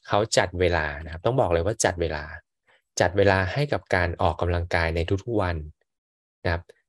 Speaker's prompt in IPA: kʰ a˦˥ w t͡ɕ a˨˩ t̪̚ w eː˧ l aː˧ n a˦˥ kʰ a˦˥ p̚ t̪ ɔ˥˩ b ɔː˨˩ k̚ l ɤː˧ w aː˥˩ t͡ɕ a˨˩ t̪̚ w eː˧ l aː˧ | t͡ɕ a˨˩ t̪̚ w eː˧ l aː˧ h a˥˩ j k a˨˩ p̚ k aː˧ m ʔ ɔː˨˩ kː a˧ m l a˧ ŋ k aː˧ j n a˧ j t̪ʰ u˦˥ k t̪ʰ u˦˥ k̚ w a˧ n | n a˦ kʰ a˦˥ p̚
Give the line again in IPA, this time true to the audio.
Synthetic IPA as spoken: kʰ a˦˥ w t͡ɕ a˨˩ t̪̚ w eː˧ l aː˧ n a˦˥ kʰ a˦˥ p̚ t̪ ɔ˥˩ b ɔː˨˩ k̚ l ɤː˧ w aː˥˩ t͡ɕ a˨˩ t̪̚ w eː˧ l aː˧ | t͡ɕ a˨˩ t̪̚ w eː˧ l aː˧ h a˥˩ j k a˨˩ p̚ k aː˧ n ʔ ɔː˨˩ kː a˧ m l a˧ ŋ k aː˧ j n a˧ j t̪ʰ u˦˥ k t̪ʰ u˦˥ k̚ w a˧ n | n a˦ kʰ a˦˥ p̚